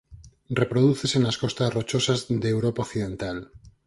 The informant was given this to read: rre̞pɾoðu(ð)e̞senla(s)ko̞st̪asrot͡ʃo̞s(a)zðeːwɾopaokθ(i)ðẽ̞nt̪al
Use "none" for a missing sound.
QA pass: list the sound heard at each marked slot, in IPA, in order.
θ, s, a, i

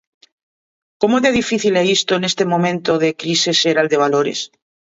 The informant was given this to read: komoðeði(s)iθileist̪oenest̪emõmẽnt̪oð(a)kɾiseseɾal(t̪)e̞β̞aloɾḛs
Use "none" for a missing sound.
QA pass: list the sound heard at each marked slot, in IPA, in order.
f, e, d̪

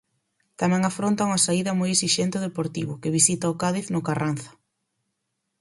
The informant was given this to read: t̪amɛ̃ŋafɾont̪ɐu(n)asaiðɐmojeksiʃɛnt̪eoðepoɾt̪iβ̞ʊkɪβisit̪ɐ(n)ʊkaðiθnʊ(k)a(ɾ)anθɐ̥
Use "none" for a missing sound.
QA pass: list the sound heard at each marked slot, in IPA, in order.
ŋ, none, k, r

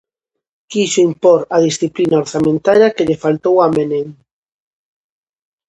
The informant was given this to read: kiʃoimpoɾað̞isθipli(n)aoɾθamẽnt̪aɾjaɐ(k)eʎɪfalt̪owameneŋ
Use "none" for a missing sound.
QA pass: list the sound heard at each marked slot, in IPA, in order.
n, k

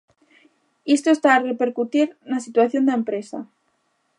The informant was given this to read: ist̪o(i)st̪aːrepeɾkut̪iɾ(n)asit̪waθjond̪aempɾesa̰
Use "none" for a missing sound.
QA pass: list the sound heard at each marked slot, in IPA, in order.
e, n

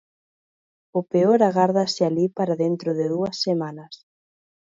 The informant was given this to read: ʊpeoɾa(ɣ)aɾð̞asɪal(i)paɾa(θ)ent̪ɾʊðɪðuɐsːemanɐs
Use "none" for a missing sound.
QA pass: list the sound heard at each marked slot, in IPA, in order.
ɣ, i, ð

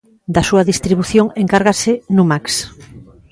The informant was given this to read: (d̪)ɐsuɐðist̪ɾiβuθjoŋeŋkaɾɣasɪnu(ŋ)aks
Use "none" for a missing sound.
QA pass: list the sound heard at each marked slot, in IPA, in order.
d̪, m

